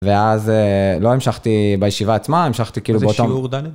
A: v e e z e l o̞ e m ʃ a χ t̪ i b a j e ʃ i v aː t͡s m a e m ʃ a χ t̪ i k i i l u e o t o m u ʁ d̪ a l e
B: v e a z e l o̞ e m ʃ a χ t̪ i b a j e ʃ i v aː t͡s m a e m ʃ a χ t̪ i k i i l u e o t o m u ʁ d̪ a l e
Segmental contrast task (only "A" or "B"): B